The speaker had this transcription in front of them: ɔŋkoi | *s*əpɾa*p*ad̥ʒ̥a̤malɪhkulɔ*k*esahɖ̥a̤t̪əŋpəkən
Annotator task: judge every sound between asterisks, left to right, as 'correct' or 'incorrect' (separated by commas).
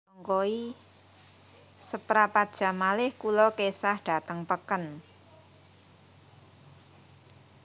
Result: correct, correct, correct